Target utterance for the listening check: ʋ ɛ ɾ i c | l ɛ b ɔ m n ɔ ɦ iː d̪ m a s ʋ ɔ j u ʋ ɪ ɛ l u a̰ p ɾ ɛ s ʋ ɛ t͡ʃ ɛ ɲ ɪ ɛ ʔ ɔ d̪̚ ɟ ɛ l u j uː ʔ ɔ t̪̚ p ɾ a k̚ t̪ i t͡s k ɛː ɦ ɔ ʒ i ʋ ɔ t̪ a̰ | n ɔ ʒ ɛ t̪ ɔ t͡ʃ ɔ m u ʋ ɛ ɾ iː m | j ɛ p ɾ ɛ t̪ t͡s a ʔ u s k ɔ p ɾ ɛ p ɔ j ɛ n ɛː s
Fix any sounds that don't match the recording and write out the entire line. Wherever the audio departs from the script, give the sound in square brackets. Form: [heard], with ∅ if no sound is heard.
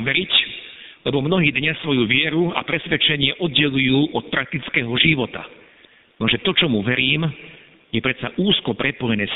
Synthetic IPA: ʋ ɛ ɾ i c | l ɛ b ɔ m n ɔ ɦ iː d̪ [ɲ] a s ʋ ɔ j u ʋ ɪ ɛ [ɾ] u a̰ p ɾ ɛ s ʋ ɛ t͡ʃ ɛ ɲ ɪ ɛ ʔ ɔ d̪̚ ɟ ɛ l u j uː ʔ ɔ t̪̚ p ɾ a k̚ t̪ i t͡s k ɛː ɦ ɔ ʒ i ʋ ɔ t̪ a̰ | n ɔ ʒ ɛ t̪ ɔ t͡ʃ ɔ m u ʋ ɛ ɾ iː m | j ɛ p ɾ ɛ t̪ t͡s a ʔ [uː] s k ɔ p ɾ ɛ p ɔ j ɛ n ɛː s